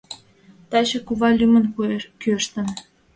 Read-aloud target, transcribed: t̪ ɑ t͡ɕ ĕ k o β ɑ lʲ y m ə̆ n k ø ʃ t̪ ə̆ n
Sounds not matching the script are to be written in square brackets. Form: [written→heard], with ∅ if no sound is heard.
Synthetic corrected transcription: t̪ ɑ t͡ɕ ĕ k [o→u] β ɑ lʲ y m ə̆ n k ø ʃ t̪ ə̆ n